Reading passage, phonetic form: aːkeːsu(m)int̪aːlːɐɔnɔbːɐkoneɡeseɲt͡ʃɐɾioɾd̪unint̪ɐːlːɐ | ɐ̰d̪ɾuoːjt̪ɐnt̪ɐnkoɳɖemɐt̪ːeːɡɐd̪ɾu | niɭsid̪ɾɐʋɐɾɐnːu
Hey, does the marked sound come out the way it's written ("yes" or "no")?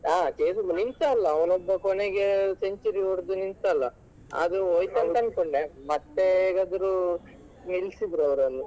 no